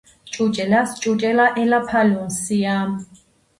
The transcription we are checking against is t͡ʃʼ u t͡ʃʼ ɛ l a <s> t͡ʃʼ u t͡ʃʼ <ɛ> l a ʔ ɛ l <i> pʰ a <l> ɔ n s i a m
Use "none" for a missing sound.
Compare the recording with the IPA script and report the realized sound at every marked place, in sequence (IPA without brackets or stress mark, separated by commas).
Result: s, ɛ, a, l